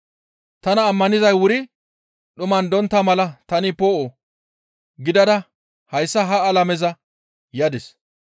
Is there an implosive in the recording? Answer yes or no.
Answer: yes